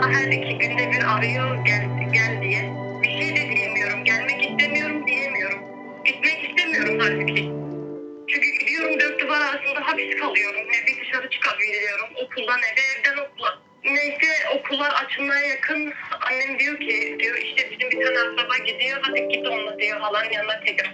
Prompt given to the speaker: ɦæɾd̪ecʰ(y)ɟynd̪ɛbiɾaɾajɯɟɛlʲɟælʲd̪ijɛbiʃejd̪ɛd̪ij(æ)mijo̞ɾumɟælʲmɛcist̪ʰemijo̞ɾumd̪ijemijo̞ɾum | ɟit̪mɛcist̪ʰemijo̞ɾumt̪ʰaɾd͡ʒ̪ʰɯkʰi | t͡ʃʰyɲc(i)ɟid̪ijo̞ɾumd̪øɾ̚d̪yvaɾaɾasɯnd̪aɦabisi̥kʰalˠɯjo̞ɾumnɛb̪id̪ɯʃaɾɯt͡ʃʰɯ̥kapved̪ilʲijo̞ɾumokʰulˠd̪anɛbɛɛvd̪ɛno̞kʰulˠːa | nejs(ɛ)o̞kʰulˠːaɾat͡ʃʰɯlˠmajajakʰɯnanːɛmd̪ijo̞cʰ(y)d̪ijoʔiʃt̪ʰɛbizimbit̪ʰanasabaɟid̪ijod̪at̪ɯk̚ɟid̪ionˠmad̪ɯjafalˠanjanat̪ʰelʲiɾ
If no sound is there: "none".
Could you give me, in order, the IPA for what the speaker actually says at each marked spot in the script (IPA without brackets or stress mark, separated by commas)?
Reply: i, e, y, ɛ, i